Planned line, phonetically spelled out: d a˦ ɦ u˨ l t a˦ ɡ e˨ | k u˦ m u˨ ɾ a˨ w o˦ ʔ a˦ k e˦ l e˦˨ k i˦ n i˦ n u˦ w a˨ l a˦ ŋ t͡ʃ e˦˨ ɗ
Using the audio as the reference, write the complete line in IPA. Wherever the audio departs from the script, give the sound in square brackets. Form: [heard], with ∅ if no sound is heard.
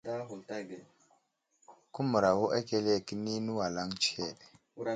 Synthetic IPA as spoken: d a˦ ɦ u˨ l t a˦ ɡ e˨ | k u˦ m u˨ ɾ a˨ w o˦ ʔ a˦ k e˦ l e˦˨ k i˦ n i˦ n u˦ w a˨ l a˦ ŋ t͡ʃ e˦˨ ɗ